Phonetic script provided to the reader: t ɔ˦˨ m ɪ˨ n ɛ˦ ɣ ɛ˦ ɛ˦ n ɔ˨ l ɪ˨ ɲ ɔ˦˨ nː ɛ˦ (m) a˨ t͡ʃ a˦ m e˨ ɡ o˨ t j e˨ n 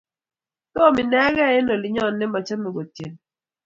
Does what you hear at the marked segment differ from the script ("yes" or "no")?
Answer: no